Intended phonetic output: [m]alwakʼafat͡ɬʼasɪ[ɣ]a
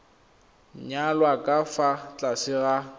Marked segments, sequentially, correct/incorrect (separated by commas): incorrect, correct